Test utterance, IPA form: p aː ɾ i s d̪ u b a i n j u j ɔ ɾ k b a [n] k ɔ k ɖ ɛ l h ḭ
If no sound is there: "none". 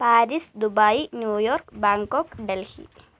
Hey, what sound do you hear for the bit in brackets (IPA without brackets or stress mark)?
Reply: ŋ